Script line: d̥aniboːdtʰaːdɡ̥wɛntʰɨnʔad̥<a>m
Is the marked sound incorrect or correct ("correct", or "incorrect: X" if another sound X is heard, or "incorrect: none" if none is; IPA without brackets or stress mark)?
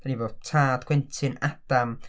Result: correct